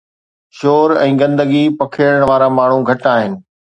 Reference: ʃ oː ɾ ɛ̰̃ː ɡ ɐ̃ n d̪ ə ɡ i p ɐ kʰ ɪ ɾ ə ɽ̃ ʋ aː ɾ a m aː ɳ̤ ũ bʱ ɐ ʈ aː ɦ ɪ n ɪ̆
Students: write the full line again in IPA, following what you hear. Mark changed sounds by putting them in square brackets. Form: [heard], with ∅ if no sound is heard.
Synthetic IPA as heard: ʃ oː ɾ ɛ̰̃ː ɡ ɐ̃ n d̪ ə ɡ i p ɐ kʰ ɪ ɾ ə ɽ̃ ʋ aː ɾ a m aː ɳ̤ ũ [ɡʱ] ɐ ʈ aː ɦ ɪ n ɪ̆